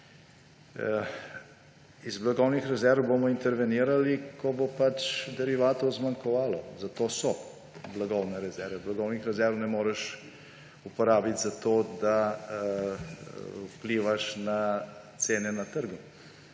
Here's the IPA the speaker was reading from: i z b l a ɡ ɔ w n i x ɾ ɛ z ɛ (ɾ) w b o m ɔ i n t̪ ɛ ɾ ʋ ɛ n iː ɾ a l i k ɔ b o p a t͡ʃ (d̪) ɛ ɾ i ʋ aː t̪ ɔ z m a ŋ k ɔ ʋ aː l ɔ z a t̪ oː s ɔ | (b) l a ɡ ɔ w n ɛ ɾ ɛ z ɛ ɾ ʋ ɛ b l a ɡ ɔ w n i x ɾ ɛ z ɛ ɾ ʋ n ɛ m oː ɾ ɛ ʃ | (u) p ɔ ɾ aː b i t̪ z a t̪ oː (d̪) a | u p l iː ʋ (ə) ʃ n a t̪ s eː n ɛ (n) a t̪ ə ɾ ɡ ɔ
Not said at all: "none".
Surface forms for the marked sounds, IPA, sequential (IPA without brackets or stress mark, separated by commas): ɾ, d̪, b, u, d̪, a, n